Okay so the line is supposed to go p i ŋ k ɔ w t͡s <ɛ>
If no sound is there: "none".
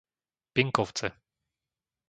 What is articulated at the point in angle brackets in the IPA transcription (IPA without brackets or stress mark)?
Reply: ɛ